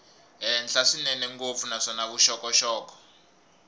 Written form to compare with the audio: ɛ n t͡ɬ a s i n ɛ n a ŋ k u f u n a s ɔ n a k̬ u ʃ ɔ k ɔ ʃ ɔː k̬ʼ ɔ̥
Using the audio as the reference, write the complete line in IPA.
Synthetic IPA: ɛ n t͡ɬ a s i n ɛ n ɛ ŋ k o f u n a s ɔ n a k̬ u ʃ ɔ k ɔ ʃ ɔː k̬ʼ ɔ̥